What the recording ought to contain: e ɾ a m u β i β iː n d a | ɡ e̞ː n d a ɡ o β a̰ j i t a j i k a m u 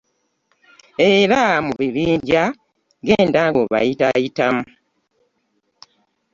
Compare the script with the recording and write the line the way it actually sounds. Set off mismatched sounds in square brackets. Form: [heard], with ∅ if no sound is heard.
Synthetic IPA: e ɾ a m u β i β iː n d a | ɡ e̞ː n d a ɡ o β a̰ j i t a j i [t] a m u